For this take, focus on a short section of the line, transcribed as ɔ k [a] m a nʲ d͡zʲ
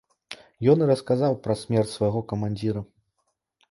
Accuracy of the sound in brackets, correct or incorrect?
incorrect: ɐ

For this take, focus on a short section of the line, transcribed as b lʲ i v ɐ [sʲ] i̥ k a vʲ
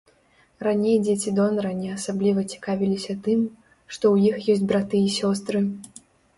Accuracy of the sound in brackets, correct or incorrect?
incorrect: t͡sʲ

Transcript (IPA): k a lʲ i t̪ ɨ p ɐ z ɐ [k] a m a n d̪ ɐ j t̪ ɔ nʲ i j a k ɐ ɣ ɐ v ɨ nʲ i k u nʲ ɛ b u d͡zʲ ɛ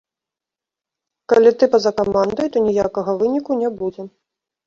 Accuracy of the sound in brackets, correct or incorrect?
correct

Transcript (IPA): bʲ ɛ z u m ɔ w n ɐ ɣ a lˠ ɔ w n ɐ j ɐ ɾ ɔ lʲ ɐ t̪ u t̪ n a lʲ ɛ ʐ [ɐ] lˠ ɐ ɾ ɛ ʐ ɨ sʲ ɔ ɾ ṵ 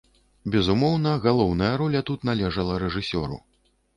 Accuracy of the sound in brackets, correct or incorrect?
correct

